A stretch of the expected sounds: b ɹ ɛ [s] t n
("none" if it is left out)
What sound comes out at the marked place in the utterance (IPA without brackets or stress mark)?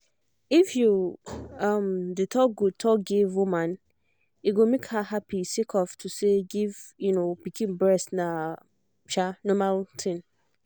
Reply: s